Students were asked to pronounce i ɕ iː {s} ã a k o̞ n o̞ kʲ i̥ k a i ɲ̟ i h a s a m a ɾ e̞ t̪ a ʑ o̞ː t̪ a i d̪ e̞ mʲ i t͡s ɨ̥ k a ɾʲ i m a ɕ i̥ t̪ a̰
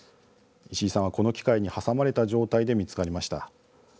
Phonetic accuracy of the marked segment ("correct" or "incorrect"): correct